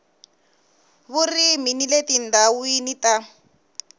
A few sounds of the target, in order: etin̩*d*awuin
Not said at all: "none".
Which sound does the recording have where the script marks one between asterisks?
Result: d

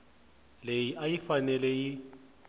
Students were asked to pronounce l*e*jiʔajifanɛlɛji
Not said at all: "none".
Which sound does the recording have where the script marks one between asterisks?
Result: e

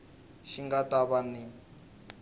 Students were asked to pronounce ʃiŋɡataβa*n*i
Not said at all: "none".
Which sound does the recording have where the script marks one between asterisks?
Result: n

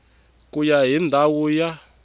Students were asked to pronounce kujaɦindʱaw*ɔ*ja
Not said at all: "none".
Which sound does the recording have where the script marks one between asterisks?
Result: u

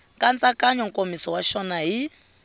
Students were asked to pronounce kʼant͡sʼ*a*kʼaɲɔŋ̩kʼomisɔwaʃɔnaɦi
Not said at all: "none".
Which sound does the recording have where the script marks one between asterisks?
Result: a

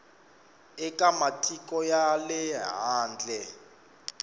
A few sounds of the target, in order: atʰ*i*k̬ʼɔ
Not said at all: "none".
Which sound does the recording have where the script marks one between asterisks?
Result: i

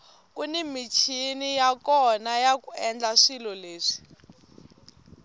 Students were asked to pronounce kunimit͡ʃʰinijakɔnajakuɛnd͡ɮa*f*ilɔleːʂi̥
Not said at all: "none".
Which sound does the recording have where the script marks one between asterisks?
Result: ʂ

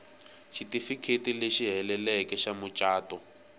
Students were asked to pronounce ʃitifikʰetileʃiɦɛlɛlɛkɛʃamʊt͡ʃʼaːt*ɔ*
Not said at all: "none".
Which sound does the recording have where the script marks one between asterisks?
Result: ɔ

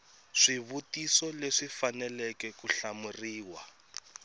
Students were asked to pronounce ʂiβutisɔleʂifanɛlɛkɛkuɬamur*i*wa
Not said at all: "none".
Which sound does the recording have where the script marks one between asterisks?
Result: iː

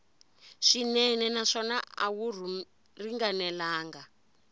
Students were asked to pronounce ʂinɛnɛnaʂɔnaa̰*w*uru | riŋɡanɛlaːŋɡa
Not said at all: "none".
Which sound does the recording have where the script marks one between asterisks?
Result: w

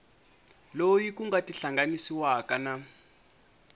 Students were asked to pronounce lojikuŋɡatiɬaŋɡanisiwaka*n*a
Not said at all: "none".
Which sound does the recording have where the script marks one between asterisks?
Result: n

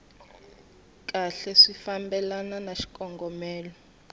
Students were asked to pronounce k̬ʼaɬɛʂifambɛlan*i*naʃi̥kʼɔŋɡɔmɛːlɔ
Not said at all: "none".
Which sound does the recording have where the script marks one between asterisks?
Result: a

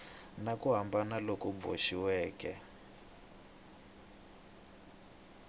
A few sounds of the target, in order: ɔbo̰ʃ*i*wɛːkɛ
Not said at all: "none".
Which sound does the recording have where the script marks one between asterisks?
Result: i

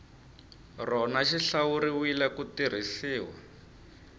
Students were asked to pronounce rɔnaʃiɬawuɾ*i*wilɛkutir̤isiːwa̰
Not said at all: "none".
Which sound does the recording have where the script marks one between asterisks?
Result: i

